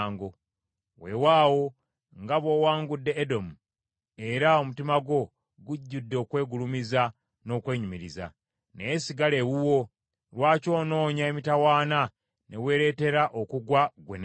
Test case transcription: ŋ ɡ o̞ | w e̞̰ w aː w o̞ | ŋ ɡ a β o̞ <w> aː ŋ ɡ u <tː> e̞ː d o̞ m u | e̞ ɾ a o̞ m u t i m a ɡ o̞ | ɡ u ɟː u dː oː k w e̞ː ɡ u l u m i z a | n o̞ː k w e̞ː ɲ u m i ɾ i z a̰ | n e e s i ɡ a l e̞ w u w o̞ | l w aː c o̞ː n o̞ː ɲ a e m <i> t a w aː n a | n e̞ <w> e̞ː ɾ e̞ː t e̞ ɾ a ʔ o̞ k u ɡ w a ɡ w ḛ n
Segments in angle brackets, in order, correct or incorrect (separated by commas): correct, incorrect, correct, correct